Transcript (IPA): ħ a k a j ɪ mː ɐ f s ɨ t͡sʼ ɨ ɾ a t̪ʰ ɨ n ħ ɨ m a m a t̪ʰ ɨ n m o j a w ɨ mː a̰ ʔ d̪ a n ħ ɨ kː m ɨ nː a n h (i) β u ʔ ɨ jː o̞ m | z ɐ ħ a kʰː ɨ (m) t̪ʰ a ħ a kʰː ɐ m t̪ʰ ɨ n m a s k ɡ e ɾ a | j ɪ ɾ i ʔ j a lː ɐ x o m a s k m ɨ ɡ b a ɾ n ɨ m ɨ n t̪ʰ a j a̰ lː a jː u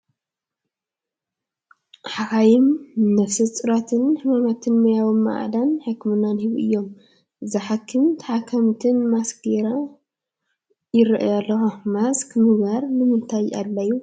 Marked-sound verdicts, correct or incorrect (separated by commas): correct, correct